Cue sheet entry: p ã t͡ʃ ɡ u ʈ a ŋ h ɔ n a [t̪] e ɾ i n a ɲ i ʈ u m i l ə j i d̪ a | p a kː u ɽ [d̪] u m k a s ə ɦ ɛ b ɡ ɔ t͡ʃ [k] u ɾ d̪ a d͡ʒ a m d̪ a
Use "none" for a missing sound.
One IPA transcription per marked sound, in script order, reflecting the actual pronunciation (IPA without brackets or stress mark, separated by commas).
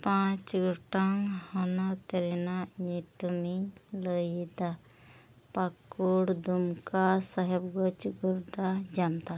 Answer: t̪, d̪, ɡ